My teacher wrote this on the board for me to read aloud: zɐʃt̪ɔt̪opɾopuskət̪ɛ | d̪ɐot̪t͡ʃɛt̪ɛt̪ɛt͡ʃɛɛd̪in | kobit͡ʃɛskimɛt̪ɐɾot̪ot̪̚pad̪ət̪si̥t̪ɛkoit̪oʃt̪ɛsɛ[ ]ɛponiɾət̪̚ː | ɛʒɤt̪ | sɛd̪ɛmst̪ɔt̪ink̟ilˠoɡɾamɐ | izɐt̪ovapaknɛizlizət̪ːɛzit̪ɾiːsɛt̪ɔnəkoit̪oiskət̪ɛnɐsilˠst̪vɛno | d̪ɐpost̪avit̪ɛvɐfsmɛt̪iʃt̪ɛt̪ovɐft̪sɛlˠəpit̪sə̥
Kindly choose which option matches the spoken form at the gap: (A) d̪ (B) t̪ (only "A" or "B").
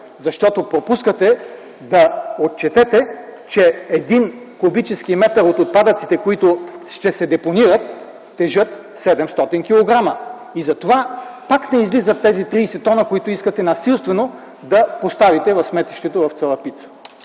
A